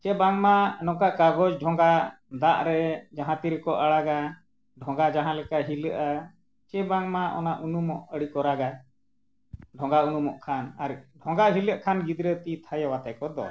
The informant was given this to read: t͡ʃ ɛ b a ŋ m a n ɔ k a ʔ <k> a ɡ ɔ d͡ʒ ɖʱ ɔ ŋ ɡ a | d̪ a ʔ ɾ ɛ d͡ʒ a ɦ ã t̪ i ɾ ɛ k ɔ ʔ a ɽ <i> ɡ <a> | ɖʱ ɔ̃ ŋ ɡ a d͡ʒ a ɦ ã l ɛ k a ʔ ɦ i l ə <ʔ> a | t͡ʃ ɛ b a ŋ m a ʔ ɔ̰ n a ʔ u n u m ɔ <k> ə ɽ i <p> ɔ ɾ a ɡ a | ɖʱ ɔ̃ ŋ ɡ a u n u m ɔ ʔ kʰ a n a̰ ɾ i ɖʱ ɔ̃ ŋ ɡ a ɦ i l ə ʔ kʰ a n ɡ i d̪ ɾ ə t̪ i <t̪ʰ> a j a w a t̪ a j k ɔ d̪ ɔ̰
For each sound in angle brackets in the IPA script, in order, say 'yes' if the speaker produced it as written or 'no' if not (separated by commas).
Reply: yes, no, yes, yes, no, no, yes